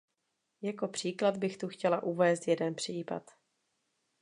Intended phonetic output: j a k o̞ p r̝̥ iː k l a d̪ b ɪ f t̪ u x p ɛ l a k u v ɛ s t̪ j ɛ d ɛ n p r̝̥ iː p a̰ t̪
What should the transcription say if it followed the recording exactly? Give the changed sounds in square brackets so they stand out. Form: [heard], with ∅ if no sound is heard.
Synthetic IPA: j a k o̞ p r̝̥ iː k l a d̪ b ɪ [x] t̪ u x [c] ɛ l a [ʔ] u v [ɛː] s t̪ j ɛ d ɛ n p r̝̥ iː p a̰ t̪